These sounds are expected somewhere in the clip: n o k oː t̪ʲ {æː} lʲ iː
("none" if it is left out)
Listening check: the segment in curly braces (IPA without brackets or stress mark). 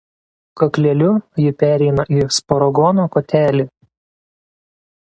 æː